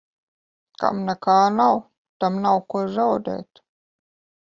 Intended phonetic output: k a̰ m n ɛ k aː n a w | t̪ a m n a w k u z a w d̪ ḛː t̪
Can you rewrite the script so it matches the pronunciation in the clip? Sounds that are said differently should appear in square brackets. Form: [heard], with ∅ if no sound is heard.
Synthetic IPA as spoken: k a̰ m n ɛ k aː n a w | t̪ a m n a w k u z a w d̪ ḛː t̪